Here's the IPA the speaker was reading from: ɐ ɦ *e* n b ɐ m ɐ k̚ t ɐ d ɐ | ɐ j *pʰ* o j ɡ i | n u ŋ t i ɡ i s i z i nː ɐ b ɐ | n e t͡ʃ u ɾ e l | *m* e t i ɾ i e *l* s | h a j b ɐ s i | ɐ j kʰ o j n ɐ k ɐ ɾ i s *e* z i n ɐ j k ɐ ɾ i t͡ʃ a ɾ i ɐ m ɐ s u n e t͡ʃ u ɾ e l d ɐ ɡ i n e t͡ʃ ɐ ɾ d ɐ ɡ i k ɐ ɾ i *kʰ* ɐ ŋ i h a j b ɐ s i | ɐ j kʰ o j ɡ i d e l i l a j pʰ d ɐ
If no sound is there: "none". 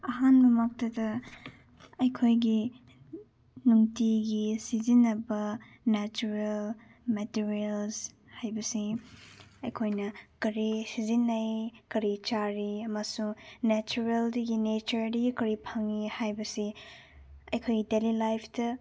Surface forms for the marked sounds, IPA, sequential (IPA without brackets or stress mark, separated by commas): a, kʰ, m, l, i, pʰ